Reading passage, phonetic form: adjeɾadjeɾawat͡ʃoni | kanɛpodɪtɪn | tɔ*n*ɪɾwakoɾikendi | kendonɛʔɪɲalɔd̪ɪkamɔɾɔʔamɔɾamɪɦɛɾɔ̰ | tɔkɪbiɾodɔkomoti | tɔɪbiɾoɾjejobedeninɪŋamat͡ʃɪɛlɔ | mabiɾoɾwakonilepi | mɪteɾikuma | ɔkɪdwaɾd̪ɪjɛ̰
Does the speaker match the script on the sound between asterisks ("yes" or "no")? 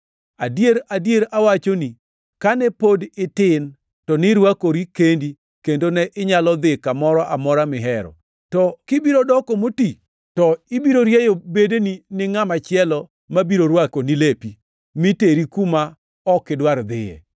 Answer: yes